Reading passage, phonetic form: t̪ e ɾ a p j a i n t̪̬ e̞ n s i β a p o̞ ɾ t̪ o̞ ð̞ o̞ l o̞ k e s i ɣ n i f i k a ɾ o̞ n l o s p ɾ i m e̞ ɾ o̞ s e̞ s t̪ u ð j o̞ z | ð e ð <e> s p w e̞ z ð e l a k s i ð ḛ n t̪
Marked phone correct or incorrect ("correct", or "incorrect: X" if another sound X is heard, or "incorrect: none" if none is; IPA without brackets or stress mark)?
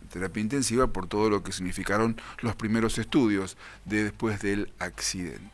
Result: correct